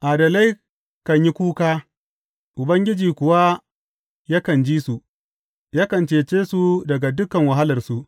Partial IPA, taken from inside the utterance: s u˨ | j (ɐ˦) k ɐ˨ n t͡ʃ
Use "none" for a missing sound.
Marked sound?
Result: a˦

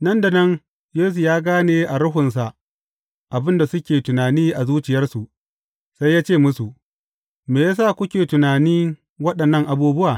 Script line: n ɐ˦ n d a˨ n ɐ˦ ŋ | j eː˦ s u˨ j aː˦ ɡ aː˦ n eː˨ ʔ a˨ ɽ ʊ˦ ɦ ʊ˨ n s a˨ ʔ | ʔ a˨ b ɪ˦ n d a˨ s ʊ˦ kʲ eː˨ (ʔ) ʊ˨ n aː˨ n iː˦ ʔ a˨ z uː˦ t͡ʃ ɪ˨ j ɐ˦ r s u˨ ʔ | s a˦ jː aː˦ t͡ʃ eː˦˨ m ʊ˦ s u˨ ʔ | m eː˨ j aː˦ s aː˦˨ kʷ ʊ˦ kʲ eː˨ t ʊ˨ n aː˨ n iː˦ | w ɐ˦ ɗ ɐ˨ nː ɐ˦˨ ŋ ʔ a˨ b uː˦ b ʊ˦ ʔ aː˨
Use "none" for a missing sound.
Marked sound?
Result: t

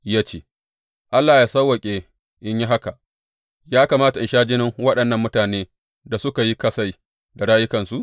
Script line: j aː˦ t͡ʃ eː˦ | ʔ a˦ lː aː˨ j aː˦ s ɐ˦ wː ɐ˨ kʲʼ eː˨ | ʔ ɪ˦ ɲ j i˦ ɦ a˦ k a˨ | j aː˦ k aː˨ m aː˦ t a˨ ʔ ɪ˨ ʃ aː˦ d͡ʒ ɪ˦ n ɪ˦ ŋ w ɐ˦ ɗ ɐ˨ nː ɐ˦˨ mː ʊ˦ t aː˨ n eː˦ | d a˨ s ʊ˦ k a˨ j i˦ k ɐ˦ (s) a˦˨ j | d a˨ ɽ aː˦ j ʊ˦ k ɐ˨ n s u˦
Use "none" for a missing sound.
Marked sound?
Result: s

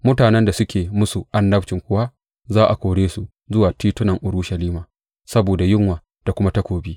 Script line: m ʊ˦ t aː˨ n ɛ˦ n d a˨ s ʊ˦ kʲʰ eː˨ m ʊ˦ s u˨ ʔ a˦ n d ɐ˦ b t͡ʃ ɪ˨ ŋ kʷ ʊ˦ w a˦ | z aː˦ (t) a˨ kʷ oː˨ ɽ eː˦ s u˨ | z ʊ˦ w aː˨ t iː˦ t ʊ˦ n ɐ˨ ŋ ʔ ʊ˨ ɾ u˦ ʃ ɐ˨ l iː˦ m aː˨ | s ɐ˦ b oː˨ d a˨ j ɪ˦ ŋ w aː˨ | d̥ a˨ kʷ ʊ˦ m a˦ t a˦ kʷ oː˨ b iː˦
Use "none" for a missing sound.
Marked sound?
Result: ʔ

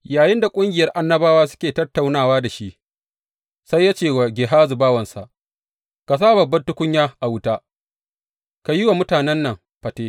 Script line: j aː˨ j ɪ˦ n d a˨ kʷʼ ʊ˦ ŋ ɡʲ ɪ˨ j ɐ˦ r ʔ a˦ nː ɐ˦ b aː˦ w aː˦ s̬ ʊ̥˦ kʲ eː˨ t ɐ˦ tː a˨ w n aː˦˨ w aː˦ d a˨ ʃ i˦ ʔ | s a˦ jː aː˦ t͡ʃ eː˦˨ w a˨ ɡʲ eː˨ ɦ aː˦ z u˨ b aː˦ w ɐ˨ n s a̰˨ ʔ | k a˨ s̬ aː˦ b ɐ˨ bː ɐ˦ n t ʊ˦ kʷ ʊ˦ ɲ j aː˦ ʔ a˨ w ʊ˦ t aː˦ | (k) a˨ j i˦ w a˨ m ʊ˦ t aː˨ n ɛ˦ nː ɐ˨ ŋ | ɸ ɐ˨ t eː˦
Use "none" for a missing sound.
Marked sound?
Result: k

